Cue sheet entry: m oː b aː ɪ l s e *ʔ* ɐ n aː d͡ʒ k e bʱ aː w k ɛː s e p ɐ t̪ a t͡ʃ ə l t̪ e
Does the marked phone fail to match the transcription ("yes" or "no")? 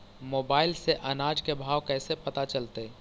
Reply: no